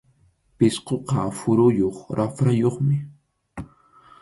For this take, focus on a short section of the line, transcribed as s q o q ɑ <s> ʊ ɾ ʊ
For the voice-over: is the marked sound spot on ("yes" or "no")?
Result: no